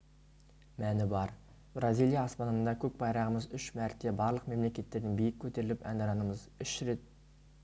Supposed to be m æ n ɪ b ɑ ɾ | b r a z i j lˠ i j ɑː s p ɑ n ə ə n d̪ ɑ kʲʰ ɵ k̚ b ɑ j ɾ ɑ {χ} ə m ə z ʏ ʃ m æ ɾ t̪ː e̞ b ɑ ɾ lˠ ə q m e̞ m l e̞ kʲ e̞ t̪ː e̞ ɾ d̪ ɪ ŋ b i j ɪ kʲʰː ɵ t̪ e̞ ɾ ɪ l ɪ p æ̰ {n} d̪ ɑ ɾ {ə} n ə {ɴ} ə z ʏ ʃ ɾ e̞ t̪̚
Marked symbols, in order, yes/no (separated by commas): no, yes, no, no